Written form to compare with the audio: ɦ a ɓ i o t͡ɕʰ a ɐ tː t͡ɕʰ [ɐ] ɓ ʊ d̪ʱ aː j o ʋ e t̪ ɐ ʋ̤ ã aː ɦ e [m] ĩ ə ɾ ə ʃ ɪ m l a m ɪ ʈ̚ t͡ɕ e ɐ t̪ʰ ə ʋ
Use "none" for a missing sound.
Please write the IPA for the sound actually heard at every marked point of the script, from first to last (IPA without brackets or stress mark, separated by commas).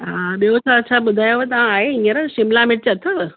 a, none